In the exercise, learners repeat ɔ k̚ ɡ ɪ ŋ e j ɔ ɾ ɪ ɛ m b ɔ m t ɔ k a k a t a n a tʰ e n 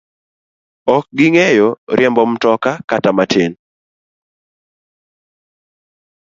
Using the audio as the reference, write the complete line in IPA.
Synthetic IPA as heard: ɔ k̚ ɡ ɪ ŋ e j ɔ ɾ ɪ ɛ m b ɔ m t ɔ k a k a t a m a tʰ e n